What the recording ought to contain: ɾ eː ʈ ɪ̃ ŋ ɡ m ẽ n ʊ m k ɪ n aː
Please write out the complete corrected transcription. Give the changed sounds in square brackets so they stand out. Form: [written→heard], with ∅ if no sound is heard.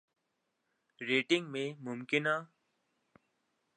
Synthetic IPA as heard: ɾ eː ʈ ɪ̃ ŋ ɡ m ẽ [n→m] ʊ m k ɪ n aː